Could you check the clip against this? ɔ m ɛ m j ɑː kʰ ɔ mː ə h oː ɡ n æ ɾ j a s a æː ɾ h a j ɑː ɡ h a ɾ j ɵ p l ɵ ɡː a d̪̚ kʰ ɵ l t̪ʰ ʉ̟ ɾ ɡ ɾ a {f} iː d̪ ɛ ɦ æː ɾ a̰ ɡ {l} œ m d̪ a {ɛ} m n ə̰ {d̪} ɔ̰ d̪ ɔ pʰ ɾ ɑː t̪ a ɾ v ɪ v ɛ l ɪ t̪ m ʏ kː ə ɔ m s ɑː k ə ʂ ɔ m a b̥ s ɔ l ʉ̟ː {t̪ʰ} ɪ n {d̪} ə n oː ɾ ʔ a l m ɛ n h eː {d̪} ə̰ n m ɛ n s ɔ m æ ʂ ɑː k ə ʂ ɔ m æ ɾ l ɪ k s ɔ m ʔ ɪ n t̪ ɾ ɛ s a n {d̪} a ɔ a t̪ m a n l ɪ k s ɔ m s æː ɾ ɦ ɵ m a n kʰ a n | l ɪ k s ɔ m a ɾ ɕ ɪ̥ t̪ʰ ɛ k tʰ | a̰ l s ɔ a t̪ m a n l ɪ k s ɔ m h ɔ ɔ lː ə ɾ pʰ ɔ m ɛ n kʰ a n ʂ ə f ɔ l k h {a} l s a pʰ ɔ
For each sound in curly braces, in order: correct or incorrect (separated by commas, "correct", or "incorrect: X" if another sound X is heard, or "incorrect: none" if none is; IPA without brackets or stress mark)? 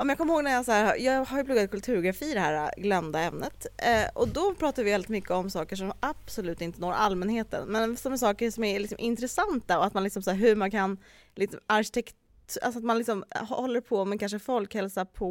correct, correct, correct, incorrect: t̪, incorrect: t̪, incorrect: t̪, incorrect: t̪, incorrect: t̪, incorrect: ɛ